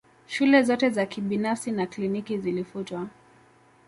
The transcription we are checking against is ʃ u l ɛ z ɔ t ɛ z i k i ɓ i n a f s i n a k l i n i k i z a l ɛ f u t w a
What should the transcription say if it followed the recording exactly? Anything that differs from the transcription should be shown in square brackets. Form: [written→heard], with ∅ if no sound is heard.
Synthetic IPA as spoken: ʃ u l ɛ z ɔ t ɛ z [i→a] k i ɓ i n a f s i n a k l i n i k i z [a→i] l [ɛ→i] f u t w a